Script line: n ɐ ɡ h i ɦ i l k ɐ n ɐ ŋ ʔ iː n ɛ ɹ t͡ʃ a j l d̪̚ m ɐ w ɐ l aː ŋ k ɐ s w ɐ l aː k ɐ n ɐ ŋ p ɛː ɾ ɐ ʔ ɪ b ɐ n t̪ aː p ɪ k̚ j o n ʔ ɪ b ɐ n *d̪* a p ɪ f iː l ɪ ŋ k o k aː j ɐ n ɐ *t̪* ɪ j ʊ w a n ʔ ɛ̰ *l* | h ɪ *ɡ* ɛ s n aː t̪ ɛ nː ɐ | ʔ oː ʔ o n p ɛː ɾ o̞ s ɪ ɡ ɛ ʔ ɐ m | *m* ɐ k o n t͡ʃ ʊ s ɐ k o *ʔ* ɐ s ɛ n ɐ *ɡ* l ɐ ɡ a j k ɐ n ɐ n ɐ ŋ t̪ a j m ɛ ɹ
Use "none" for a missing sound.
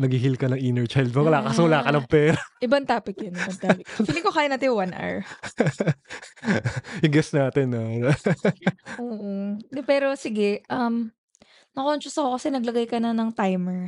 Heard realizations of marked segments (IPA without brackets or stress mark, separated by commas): t̪, t̪, ɹ, ɡ, n, k, ɡ